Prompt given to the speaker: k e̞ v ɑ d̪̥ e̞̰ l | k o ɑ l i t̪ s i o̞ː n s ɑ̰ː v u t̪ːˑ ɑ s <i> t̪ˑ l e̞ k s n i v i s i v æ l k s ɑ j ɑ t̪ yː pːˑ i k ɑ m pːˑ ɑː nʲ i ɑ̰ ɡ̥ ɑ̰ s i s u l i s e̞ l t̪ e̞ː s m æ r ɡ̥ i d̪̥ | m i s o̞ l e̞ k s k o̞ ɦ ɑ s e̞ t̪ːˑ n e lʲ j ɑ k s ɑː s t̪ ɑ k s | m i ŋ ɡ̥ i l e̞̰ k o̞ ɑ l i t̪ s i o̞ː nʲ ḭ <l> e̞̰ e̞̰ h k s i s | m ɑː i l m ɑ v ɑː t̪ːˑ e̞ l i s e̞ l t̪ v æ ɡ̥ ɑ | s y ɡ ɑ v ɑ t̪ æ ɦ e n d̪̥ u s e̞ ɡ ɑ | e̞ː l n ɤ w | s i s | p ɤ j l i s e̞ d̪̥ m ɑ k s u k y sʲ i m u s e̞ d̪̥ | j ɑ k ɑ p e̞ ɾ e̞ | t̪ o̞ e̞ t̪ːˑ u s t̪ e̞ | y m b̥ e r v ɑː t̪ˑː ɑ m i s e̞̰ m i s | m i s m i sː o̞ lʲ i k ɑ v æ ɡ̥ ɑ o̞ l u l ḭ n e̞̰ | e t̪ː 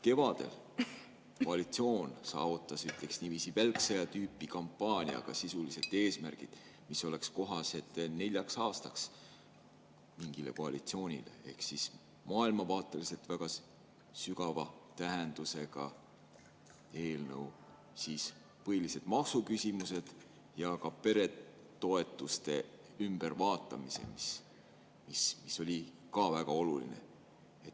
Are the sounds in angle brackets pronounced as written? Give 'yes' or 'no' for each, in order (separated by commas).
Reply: no, yes